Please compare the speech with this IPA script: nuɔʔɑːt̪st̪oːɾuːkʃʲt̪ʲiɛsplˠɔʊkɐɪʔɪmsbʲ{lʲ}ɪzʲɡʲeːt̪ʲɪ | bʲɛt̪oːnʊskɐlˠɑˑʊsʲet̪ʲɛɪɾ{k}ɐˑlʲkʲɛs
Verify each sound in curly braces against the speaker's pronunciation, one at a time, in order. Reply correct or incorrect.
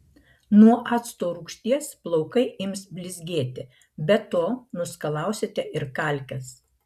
correct, correct

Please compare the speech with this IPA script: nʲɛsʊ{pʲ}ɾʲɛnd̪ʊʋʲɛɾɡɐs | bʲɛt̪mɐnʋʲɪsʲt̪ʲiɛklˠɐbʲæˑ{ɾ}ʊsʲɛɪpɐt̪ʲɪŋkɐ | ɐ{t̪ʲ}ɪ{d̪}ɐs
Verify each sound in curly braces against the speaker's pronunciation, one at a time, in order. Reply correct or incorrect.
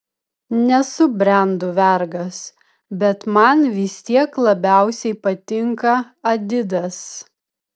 incorrect, incorrect, incorrect, correct

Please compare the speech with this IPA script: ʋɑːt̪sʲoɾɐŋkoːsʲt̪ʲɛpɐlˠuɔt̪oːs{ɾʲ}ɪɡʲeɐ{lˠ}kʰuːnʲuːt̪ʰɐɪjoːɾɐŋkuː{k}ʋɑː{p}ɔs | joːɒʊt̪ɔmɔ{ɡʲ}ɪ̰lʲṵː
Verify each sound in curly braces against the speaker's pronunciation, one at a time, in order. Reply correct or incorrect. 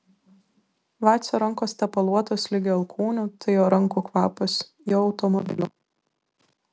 incorrect, correct, correct, correct, incorrect

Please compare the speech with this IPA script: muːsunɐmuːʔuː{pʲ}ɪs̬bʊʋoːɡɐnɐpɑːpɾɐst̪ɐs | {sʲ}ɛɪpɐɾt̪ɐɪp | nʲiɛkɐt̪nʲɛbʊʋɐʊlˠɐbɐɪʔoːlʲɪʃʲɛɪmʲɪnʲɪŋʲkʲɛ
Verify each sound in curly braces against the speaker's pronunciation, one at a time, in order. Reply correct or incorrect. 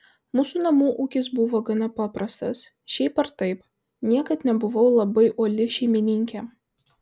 incorrect, incorrect

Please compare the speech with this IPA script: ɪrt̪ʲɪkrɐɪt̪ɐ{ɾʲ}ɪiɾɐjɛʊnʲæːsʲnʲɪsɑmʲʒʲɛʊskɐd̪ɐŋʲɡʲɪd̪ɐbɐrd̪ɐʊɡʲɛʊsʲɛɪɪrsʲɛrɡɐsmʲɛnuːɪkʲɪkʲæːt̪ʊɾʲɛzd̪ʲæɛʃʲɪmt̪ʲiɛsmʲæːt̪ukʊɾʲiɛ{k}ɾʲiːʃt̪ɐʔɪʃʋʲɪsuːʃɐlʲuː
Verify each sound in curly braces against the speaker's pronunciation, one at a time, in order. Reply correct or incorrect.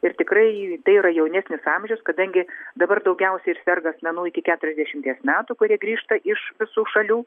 incorrect, incorrect

